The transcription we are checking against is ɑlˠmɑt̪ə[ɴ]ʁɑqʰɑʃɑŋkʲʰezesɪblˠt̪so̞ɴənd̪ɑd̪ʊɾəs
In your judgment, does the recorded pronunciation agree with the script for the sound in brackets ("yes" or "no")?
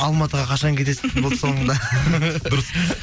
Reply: no